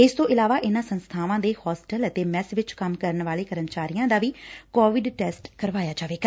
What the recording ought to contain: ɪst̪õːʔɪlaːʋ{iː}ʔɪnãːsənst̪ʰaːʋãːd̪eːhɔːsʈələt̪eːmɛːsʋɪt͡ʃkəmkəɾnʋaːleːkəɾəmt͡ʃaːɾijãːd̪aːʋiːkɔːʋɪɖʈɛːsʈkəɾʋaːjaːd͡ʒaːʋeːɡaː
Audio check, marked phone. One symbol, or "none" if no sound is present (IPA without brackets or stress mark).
aː